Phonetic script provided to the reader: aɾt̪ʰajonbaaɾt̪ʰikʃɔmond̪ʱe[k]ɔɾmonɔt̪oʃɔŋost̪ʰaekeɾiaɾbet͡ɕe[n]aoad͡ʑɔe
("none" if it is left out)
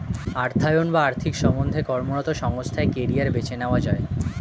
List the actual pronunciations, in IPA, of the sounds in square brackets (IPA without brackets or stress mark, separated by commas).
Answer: k, n